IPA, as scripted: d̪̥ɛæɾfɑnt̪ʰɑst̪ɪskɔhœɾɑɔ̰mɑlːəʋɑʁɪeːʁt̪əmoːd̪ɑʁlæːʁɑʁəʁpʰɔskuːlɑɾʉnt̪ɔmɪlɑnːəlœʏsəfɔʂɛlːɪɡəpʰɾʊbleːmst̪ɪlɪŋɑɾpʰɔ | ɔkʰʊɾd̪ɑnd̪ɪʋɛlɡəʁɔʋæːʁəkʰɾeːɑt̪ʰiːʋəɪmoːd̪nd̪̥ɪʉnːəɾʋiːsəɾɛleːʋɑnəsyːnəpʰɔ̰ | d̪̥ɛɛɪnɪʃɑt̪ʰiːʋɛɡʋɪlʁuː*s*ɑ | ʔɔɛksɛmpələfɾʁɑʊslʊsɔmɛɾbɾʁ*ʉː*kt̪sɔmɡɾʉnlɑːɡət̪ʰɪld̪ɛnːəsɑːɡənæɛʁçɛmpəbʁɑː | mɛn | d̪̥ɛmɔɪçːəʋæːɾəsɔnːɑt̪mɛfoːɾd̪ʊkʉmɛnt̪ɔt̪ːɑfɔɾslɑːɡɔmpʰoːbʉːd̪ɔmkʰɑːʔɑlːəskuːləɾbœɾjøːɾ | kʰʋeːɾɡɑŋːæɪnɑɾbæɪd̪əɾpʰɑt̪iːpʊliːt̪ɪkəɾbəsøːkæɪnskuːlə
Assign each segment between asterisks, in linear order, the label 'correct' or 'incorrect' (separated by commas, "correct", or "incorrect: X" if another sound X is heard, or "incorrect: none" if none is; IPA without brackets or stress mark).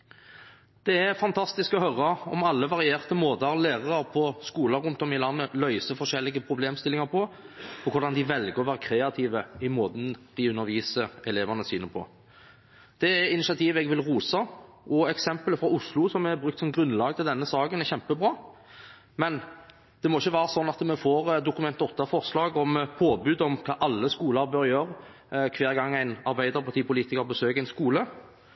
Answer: correct, incorrect: ʉ